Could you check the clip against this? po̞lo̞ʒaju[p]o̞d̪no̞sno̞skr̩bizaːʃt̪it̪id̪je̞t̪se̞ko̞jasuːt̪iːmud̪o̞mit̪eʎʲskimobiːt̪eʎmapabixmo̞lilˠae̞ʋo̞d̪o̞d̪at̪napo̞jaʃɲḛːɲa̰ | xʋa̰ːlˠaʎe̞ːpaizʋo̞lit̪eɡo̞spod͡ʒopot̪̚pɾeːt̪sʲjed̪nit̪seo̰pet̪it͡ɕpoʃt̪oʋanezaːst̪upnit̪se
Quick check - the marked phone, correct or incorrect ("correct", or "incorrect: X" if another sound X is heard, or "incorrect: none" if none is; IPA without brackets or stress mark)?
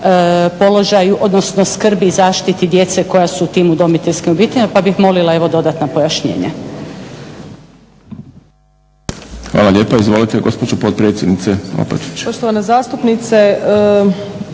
incorrect: ʔ